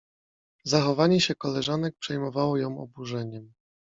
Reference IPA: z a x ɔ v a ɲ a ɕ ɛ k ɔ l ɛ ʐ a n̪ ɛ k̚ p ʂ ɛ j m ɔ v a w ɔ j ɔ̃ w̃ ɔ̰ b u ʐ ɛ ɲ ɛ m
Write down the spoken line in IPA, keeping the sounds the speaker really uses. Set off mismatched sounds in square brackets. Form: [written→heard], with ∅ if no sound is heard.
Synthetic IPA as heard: z a x ɔ v a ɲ [a→ɛ] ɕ ɛ k ɔ l ɛ ʐ a n̪ ɛ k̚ p ʂ ɛ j m ɔ v a w ɔ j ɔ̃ w̃ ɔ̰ b u ʐ ɛ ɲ ɛ m